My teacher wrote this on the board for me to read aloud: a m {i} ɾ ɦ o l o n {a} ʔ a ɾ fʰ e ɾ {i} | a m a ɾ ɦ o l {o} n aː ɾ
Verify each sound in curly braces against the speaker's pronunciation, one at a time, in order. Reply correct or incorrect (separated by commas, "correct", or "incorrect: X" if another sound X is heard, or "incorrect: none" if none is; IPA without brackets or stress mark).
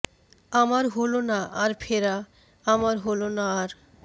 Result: incorrect: a, correct, incorrect: a, correct